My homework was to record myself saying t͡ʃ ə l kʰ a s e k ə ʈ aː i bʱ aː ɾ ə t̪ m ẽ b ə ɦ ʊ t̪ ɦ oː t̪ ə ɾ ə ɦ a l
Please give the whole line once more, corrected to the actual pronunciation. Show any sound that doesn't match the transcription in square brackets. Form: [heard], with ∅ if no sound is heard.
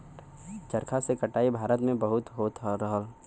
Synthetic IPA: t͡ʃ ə [ɾ] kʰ a s e k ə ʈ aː i bʱ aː ɾ ə t̪ m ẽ b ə ɦ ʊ t̪ ɦ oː t̪ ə ɾ ə ɦ [ə] l

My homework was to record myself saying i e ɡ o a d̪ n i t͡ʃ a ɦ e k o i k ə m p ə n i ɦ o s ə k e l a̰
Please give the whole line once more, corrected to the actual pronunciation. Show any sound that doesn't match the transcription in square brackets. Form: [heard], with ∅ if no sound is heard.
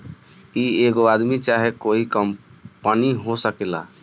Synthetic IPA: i e ɡ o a d̪ [m] i t͡ʃ a ɦ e k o i k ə m p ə n i ɦ o s ə k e l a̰

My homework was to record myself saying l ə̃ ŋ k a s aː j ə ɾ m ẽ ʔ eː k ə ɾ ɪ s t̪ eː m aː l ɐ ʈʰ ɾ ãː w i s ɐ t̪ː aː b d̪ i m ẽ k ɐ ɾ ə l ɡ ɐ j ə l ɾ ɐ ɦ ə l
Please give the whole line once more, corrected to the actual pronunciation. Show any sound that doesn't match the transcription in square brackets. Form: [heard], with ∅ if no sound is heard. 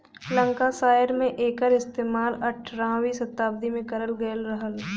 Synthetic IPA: l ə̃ ŋ k a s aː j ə ɾ m ẽ ʔ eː k ə ɾ ɪ s t̪ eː m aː l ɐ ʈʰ ɾ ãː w i s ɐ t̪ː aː b d̪ i m ẽ k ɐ ɾ ə l ɡ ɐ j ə l ɾ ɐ ɦ ə l

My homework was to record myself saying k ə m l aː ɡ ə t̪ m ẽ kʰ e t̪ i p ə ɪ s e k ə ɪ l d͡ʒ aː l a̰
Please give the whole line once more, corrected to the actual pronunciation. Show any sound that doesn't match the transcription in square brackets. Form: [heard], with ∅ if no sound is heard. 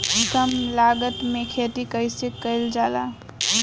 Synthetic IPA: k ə m l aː ɡ ə t̪ m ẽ kʰ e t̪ i [k] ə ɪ s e k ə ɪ l d͡ʒ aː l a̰

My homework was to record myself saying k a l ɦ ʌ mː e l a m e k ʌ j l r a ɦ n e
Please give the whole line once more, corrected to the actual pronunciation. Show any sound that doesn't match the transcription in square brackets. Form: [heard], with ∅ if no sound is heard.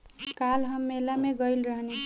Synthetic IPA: k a l ɦ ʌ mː e l a m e [ɡ] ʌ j l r [ʌ] ɦ n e

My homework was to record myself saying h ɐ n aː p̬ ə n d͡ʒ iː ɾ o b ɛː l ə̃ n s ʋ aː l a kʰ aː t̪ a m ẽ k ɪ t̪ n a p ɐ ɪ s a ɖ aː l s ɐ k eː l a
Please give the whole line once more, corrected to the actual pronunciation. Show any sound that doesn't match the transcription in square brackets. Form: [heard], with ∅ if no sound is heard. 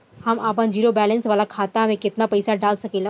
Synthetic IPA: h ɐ [m] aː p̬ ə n d͡ʒ iː ɾ o b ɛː l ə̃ n s ʋ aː l a kʰ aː t̪ a m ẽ k ɪ t̪ n a p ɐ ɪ s a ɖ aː l s ɐ k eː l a

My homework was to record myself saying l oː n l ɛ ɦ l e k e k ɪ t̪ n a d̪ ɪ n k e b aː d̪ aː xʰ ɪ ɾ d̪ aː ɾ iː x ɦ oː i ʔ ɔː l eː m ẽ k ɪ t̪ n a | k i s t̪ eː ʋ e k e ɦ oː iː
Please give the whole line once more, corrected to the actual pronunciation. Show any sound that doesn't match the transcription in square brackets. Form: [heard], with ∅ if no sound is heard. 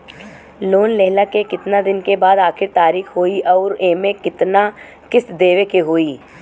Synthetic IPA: l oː n l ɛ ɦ l [a] k e k ɪ t̪ n a d̪ ɪ n k e b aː d̪ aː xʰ ɪ ɾ [t̪] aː ɾ iː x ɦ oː i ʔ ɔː [ɾ] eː m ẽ k ɪ t̪ n a | k [ɪ] s [d̪] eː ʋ e k e ɦ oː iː

